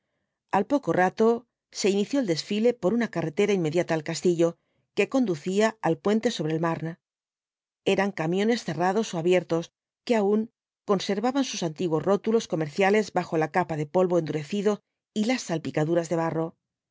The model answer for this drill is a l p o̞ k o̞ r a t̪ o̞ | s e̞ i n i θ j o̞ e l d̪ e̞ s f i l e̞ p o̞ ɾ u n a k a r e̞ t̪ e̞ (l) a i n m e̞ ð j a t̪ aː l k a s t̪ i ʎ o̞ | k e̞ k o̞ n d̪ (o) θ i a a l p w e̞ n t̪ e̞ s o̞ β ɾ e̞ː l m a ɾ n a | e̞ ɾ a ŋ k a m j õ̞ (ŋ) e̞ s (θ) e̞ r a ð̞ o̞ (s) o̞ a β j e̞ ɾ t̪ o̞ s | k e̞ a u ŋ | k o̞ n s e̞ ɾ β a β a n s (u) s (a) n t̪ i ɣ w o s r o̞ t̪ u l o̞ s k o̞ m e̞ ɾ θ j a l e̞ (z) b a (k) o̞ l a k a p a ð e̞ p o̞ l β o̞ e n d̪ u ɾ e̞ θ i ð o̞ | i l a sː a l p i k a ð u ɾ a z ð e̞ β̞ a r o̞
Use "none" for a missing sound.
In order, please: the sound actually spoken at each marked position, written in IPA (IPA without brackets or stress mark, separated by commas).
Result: ɾ, u, n, θ, s, u, a, z, x